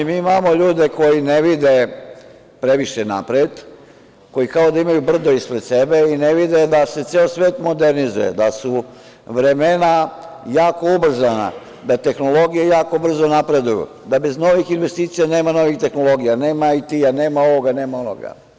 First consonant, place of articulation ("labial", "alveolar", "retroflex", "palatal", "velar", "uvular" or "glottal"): labial